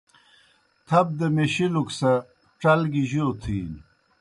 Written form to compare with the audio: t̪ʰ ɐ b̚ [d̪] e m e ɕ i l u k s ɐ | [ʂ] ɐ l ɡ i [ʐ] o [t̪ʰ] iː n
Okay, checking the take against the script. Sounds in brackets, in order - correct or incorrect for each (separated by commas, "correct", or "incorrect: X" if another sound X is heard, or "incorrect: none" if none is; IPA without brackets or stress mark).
correct, incorrect: ʈ͡ʂ, incorrect: ʑ, correct